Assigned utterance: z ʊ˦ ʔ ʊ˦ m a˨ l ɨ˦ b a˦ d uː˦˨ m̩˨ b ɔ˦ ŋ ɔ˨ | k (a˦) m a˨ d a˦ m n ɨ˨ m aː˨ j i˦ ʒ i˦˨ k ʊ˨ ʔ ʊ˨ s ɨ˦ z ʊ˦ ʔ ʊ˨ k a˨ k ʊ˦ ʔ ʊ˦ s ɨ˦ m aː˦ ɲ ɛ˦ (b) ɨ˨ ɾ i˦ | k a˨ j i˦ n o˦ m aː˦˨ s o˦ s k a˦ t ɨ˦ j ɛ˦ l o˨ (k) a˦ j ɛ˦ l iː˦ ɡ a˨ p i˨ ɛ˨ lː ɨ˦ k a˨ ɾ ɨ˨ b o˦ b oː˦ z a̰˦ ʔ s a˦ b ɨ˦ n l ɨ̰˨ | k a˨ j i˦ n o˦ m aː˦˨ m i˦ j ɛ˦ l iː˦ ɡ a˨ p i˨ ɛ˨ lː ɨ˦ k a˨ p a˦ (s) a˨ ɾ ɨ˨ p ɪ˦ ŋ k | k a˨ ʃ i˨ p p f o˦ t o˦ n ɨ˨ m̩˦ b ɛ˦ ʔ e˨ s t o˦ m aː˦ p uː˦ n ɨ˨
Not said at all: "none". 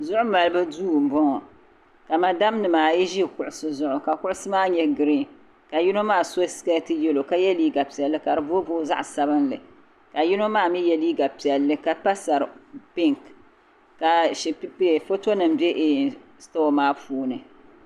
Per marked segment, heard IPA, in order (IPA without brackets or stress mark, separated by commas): a˨, ɡ, k, s